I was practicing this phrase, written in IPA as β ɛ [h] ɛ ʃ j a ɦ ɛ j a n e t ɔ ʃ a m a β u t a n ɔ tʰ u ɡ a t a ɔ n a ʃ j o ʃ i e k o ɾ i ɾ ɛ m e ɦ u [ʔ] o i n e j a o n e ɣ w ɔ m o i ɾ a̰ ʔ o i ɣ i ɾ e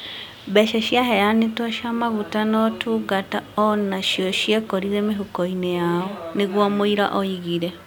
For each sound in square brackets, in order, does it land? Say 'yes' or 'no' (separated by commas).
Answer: no, no